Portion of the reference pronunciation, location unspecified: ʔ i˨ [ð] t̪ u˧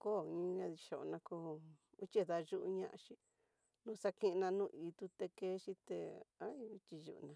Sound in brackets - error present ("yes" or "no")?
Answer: yes